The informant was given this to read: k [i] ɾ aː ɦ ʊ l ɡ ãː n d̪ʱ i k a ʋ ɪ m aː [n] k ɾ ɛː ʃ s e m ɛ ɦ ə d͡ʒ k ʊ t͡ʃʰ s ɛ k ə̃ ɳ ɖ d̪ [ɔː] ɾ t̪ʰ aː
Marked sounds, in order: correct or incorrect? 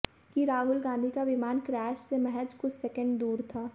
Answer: correct, correct, incorrect: uː

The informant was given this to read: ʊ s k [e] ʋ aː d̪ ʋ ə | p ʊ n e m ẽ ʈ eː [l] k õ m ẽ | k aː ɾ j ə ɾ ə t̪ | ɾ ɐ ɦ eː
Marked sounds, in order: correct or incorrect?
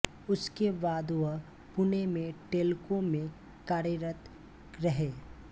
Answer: correct, correct

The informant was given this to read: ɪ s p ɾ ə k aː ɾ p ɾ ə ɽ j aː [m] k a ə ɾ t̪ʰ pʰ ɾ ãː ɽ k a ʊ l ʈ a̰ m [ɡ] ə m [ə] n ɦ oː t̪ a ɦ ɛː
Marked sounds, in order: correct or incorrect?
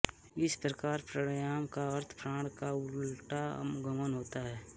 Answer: correct, correct, correct

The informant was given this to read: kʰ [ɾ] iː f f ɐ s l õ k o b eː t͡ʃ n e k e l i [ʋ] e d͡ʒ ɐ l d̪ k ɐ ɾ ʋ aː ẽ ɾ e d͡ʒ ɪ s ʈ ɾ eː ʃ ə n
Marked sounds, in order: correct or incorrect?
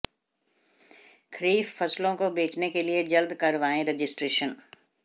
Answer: correct, incorrect: none

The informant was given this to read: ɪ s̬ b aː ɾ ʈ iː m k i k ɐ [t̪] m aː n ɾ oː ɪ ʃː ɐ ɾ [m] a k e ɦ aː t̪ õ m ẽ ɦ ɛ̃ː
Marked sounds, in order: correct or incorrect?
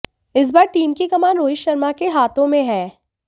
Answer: incorrect: none, correct

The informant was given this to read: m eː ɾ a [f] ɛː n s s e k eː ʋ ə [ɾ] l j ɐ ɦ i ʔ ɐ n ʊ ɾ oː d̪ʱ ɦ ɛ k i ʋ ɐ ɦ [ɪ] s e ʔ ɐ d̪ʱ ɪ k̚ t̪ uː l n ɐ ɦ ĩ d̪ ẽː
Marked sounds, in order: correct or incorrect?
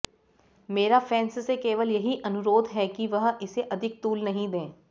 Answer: correct, incorrect: none, correct

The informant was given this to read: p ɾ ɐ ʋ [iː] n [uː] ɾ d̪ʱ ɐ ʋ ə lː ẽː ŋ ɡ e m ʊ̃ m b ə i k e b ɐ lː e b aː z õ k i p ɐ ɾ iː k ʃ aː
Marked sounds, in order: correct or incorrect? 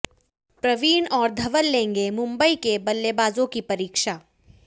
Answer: correct, incorrect: ɔː

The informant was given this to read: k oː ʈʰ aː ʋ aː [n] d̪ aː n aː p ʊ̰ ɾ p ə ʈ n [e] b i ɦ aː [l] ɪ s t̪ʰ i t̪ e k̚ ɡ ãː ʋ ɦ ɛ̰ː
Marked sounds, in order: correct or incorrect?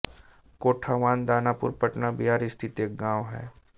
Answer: correct, incorrect: a, incorrect: ɾ

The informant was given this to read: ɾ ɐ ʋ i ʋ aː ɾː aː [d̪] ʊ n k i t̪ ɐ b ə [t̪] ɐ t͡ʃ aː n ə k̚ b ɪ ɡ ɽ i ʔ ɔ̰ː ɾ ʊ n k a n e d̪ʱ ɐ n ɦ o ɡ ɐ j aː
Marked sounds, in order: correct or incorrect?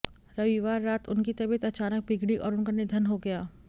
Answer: incorrect: t̪, correct

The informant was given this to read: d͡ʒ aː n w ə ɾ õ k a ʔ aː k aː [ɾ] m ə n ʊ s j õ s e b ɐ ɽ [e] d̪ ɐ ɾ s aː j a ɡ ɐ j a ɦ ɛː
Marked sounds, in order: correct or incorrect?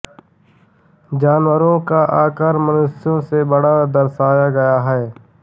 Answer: correct, incorrect: a

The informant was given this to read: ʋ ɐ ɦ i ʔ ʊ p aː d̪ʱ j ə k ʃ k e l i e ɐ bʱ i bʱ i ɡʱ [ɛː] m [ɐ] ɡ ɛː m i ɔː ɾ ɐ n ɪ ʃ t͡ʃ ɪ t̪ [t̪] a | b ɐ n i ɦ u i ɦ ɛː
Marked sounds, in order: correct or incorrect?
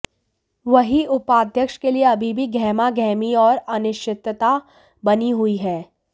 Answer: correct, incorrect: a, correct

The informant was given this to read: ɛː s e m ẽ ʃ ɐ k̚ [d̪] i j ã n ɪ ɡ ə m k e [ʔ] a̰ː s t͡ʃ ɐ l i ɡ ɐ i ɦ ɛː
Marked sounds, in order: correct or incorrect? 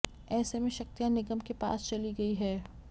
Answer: incorrect: t̪, incorrect: p

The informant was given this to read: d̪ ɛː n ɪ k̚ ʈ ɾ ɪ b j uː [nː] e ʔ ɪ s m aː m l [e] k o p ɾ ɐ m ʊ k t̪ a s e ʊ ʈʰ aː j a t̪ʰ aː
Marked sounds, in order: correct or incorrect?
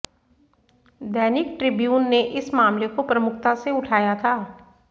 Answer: correct, correct

